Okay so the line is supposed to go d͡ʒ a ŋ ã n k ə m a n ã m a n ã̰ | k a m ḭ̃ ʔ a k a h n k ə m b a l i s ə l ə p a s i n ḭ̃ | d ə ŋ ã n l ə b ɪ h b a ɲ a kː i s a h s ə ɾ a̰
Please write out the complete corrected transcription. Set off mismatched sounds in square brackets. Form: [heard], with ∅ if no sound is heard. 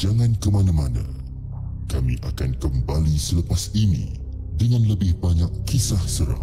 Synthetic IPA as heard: d͡ʒ a ŋ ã n k ə m a n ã m a n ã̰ | k a m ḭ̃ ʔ a k a [∅] n k ə m b a l i s ə l ə p a s i n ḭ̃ | d ə ŋ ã n l ə b ɪ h b a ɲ a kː i s a h s ə ɾ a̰